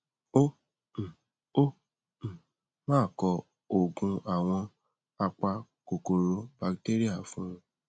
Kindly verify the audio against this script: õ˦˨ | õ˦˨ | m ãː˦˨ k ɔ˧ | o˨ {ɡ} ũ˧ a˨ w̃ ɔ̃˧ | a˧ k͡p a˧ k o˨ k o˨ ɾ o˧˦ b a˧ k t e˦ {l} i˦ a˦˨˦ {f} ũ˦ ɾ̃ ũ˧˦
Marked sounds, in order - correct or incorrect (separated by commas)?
correct, incorrect, correct